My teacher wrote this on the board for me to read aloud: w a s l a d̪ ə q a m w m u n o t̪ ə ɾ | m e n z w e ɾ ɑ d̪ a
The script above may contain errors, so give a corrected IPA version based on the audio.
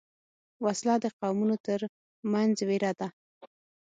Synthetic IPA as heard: w a s l ɑ d̪ ə q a w m u n o t̪ ə ɾ | m a n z w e ɾ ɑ d̪ a